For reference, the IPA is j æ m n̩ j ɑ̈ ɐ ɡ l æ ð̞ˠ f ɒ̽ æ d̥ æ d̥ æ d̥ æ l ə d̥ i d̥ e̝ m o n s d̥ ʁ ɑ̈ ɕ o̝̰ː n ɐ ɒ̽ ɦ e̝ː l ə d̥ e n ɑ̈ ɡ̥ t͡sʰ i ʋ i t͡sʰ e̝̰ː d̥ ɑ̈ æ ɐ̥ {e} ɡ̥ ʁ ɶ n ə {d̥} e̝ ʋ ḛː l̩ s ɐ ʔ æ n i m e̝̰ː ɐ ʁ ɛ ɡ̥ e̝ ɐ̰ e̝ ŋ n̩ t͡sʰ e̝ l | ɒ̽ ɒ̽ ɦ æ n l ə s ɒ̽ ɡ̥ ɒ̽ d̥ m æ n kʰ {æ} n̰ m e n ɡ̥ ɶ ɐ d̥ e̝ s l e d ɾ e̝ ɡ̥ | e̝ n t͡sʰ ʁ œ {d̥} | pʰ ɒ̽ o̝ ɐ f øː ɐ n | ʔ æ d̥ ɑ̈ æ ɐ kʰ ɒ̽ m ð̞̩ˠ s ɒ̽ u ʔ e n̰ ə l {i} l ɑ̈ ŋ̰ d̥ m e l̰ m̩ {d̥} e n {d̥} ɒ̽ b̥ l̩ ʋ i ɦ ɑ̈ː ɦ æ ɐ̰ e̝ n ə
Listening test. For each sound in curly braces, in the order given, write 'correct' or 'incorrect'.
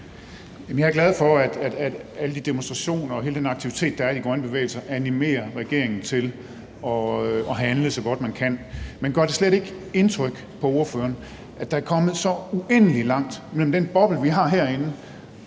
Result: incorrect: i, incorrect: b̥, correct, incorrect: ɡ̥, correct, correct, incorrect: b̥

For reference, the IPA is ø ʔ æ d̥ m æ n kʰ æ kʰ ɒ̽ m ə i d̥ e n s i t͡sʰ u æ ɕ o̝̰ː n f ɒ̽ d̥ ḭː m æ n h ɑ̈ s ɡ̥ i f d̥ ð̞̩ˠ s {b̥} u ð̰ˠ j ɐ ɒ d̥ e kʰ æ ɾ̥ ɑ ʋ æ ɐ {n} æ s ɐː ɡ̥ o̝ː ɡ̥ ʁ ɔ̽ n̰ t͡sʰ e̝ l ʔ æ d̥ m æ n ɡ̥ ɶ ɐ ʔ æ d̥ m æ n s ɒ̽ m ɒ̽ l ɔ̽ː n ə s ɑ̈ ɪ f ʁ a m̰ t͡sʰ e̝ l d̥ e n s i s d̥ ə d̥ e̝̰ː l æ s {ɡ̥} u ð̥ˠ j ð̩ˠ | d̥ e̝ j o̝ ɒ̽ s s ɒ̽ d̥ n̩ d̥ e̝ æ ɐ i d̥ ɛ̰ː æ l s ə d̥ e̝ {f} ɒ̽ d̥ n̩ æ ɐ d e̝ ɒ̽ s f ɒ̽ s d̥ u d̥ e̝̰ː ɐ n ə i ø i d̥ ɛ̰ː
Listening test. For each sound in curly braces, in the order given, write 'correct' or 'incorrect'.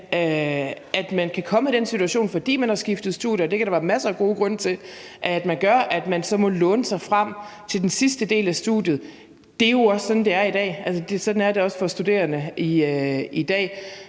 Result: incorrect: d̥, incorrect: m, incorrect: d̥, incorrect: s

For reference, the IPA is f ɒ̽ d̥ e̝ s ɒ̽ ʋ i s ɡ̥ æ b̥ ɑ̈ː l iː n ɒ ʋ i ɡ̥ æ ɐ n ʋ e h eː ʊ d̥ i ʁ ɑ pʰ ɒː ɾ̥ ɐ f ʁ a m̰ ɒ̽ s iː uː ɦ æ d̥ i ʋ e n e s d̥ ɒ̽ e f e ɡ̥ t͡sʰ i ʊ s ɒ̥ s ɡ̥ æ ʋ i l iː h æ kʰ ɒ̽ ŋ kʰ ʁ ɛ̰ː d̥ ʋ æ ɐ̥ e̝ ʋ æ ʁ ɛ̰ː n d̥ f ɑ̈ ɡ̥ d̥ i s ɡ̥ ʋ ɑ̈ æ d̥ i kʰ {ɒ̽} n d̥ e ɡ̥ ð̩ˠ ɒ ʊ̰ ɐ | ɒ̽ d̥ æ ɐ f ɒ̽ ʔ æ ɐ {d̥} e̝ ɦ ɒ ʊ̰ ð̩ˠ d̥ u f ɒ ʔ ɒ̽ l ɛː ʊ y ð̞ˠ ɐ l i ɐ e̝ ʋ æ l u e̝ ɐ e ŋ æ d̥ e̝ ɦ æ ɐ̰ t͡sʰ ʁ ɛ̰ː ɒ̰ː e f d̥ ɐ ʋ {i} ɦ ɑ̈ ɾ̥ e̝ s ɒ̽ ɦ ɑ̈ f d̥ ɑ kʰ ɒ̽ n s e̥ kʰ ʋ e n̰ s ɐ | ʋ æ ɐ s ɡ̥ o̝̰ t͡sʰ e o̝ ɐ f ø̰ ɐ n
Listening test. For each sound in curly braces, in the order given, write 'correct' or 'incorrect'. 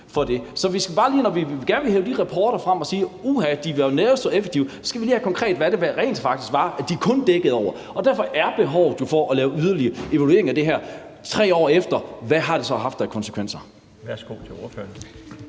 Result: incorrect: ɔ̽, incorrect: b̥, incorrect: æ

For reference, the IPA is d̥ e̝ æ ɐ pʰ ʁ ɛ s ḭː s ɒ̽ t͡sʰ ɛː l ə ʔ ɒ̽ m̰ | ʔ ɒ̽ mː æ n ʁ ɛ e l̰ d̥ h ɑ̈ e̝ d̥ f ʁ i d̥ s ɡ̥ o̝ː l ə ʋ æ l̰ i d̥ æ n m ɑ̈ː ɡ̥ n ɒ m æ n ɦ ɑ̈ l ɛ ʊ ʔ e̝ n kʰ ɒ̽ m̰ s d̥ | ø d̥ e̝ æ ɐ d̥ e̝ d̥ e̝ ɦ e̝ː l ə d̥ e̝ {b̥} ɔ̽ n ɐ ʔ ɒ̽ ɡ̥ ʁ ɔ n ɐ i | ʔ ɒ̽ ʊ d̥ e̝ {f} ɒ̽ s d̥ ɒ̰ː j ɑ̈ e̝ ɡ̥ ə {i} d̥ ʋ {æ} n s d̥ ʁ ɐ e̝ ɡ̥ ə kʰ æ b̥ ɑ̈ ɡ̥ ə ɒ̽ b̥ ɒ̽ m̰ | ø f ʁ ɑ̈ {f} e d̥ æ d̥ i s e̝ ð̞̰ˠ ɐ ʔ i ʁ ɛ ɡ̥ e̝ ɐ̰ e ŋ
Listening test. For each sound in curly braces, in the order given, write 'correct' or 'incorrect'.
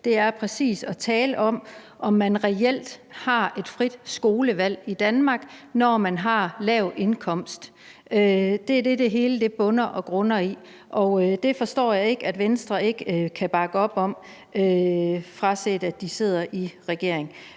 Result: correct, correct, incorrect: æ, incorrect: e, incorrect: s

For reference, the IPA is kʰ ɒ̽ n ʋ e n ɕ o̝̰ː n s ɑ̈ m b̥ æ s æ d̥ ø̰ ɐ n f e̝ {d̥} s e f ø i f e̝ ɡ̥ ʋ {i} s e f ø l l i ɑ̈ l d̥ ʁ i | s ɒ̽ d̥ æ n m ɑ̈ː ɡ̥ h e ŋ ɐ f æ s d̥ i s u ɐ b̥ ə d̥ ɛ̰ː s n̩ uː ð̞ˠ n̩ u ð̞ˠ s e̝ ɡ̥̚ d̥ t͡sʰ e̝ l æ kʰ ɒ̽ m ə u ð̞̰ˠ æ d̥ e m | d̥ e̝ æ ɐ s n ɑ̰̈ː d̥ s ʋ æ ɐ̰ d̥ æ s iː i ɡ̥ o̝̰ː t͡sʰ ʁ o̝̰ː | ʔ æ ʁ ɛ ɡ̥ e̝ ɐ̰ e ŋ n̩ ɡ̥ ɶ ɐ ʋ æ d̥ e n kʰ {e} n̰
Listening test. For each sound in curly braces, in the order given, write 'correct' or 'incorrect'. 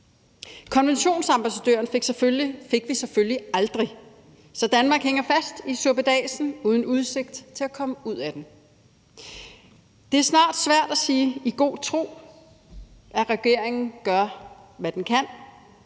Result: incorrect: ɡ̥, correct, incorrect: æ

